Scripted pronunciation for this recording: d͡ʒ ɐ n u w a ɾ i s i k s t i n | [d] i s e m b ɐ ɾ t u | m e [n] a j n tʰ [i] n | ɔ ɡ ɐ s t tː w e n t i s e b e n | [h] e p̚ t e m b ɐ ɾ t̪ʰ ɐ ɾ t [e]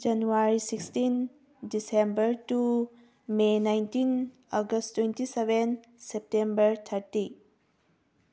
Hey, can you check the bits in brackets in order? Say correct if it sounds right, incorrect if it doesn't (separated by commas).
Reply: correct, correct, correct, incorrect, incorrect